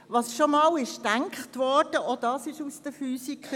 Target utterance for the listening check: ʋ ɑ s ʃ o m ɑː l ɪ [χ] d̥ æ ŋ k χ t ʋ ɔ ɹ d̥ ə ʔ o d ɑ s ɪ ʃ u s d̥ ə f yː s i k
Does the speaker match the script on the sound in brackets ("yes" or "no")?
no